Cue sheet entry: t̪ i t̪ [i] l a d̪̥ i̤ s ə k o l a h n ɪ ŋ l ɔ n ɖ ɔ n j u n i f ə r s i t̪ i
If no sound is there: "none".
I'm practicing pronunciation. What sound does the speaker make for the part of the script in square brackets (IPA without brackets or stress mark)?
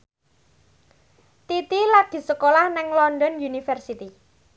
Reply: i